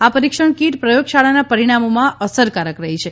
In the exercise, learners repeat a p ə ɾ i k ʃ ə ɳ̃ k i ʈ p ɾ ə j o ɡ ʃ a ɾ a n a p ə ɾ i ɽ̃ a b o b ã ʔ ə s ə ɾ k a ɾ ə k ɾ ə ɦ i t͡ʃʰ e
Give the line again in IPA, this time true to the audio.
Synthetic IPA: a p ə ɾ i k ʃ ə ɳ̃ k i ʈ p ɾ ə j o ɡ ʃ a ɭ a n a p ə ɾ i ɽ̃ a m o m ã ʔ ə s ə ɾ k a ɾ ə k ɾ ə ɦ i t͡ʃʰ e